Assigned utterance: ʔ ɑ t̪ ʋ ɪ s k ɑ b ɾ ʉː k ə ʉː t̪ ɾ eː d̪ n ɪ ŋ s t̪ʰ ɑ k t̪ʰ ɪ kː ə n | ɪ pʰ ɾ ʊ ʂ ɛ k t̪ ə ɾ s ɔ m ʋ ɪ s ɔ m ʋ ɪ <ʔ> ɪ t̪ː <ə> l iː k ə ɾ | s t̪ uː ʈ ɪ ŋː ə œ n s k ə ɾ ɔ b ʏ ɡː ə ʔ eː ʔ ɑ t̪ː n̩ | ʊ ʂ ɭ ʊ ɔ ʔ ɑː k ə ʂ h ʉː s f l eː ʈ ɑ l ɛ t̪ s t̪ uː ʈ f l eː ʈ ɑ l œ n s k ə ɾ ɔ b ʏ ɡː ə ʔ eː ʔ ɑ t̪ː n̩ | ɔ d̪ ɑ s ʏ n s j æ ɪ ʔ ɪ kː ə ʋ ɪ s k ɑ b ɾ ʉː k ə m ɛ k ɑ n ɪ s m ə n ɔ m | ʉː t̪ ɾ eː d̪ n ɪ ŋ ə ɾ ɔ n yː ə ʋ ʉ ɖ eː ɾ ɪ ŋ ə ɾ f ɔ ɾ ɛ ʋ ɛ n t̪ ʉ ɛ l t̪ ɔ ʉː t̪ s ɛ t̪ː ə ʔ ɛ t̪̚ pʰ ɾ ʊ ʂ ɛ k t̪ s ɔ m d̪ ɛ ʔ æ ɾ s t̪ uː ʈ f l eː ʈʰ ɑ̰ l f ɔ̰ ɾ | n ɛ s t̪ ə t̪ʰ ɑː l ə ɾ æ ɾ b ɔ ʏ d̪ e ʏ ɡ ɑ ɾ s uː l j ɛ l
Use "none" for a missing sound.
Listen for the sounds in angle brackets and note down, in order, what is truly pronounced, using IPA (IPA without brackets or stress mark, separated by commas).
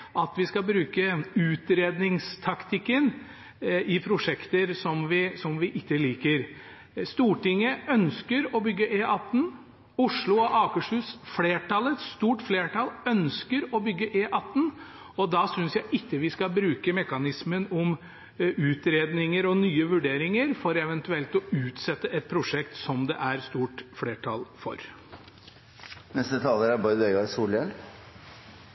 ʔ, ə